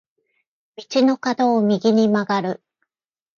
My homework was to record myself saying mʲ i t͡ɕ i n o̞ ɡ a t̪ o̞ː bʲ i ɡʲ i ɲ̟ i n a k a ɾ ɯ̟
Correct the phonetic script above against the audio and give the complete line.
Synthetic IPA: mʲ i t͡ɕ i n o̞ k a d̪ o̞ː mʲ i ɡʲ i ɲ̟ i m a ɡ a ɾ ɯ̟